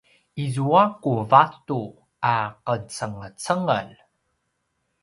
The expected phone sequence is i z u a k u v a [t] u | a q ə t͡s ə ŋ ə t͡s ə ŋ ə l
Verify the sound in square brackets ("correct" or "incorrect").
correct